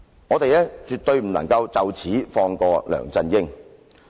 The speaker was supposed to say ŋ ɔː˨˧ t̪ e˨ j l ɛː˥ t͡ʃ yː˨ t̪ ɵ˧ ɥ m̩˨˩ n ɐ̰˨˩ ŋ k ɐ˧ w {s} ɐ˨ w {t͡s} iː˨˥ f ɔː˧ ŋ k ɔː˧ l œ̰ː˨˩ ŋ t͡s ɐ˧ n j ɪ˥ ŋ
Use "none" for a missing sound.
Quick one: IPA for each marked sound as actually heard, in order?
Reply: t͡s, t͡sʰ

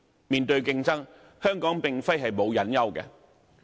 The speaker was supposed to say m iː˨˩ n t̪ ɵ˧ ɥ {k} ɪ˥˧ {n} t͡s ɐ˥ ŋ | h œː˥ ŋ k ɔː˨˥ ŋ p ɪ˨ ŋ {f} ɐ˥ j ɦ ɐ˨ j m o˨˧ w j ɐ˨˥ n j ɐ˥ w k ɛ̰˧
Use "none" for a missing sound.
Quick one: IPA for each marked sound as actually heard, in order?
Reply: k, ŋ, f

